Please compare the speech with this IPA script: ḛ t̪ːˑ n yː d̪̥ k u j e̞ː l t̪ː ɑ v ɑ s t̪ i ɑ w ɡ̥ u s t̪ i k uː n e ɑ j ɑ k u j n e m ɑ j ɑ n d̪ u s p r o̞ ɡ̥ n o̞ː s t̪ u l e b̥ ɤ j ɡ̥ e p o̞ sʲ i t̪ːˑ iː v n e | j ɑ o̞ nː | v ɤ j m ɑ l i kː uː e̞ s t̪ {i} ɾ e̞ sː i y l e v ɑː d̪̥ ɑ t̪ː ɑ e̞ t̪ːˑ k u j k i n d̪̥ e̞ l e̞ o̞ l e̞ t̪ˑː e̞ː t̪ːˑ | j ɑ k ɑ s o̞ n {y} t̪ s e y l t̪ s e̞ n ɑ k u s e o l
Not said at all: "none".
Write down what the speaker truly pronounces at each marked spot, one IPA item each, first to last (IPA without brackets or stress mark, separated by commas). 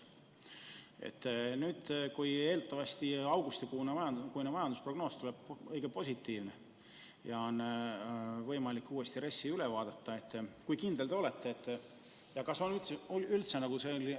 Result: i, y